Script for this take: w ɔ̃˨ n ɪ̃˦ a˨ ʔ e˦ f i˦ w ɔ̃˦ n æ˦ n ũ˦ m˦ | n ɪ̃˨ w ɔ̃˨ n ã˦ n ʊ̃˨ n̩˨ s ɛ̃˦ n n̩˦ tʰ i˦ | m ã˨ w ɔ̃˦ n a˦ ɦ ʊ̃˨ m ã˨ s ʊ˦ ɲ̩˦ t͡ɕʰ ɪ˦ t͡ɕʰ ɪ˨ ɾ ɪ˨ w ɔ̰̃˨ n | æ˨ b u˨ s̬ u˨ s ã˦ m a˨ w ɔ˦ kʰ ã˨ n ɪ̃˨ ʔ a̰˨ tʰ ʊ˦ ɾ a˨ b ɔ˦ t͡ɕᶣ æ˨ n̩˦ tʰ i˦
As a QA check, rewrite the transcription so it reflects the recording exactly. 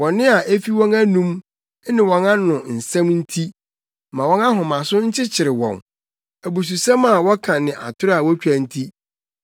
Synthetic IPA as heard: w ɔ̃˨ n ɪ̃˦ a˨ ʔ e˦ f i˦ w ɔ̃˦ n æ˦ n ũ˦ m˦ | n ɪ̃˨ w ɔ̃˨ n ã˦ n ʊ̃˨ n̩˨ s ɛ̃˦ m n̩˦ tʰ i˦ | m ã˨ w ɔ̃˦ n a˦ ɦ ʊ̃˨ m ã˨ s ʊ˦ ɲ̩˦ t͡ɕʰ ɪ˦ t͡ɕʰ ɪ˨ ɾ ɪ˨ w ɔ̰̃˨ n | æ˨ b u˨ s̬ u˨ s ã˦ m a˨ w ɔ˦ kʰ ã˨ n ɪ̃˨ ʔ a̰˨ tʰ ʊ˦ ɾ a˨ w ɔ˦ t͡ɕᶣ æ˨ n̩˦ tʰ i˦